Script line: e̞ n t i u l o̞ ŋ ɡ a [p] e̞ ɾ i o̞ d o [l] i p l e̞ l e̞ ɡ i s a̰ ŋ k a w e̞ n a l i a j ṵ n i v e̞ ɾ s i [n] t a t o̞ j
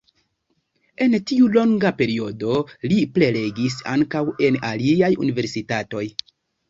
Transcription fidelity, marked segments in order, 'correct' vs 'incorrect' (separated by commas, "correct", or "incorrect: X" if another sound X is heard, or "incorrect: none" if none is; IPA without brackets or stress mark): correct, correct, incorrect: none